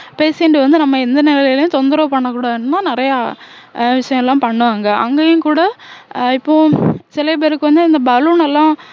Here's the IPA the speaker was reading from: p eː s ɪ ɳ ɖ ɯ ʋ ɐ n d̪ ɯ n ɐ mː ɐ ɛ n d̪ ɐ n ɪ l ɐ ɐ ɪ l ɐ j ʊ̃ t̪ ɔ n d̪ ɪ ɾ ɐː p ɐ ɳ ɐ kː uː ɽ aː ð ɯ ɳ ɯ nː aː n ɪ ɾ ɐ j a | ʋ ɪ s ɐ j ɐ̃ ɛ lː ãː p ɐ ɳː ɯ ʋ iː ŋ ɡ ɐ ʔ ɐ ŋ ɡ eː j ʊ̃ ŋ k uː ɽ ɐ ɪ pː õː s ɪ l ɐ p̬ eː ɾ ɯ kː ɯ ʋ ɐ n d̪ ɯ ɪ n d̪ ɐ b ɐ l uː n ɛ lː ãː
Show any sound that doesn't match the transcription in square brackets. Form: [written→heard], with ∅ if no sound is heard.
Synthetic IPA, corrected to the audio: p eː s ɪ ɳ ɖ ɯ ʋ ɐ n d̪ ɯ n ɐ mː ɐ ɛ n d̪ ɐ n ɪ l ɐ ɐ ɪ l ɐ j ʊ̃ t̪ ɔ n d̪ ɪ ɾ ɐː p ɐ [ɳ→ɳː] ɐ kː uː ɽ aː ð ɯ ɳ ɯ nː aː n ɪ ɾ ɐ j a | ʋ ɪ [s→ʂ] ɐ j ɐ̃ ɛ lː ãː p ɐ ɳː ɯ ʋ [iː→aː] ŋ ɡ ɐ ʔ ɐ ŋ ɡ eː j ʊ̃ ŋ k uː ɽ ɐ ɪ pː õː s ɪ l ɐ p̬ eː ɾ ɯ kː ɯ ʋ ɐ n d̪ ɯ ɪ n d̪ ɐ b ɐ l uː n ɛ lː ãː